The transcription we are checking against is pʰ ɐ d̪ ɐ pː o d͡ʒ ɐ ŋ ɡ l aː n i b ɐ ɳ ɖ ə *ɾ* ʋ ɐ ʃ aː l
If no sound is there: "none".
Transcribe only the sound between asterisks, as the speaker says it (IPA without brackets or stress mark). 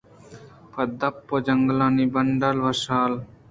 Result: l